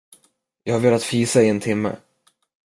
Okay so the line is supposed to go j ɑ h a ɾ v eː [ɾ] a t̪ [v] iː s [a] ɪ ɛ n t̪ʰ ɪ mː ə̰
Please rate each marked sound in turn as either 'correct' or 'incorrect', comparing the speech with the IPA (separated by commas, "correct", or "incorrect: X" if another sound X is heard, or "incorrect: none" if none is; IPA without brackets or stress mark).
incorrect: l, incorrect: f, correct